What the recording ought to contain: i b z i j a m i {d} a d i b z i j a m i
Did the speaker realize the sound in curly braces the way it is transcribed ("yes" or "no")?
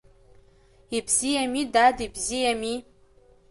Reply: yes